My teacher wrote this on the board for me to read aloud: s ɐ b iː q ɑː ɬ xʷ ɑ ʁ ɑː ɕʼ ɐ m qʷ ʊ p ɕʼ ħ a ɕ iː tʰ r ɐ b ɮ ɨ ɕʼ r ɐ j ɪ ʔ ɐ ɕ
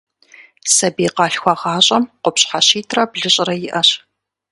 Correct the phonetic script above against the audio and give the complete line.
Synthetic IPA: s ɐ b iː q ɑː ɬ xʷ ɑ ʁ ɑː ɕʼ ɐ m qʷ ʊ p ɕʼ ħ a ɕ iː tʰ r ɐ b ɮ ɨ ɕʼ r ɐ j ɪ ʔ ɐ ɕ